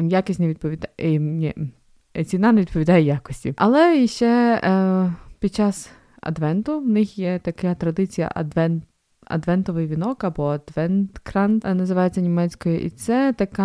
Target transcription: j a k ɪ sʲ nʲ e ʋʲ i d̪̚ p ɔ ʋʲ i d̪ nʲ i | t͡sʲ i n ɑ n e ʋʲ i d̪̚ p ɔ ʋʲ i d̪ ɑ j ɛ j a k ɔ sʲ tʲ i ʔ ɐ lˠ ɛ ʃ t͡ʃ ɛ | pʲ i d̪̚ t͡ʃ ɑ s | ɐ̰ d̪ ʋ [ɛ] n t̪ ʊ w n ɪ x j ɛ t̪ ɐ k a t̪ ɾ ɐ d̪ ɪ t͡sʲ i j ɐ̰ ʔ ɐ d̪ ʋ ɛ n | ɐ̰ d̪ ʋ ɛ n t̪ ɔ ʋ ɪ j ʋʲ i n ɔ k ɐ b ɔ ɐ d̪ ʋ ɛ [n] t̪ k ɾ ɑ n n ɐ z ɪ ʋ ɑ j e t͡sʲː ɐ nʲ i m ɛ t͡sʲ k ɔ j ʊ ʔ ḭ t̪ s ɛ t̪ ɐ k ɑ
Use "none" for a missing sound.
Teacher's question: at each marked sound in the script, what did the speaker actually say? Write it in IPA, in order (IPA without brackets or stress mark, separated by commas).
ɛ, n